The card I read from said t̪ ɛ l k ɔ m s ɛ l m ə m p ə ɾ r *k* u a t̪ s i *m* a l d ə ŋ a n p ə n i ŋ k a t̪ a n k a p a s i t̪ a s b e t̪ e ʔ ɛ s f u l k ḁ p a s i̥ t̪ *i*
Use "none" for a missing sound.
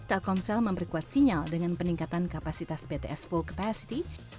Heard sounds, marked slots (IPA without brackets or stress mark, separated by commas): k, ɲ, i